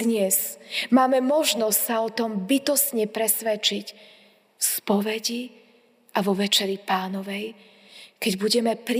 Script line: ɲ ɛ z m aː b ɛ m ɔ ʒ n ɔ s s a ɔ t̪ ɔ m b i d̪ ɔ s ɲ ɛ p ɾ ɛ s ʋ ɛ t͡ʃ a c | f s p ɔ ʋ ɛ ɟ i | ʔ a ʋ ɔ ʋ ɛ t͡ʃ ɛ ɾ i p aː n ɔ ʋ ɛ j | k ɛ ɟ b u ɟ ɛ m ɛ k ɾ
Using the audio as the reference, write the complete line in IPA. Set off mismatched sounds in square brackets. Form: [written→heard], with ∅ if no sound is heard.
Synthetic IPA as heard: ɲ ɛ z m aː [b→m] ɛ m ɔ ʒ n ɔ s s a ɔ t̪ ɔ m b i [d̪→t̪] ɔ s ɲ ɛ p ɾ ɛ s ʋ ɛ t͡ʃ [a→i] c | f s p ɔ ʋ ɛ ɟ i | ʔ a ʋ ɔ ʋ ɛ t͡ʃ ɛ ɾ i p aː n ɔ ʋ ɛ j | k ɛ ɟ b u ɟ ɛ m ɛ [k→p] ɾ